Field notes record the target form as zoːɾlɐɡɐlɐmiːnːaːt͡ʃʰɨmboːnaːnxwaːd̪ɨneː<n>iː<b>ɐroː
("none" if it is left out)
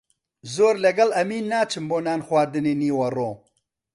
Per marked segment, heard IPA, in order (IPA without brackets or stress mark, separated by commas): n, w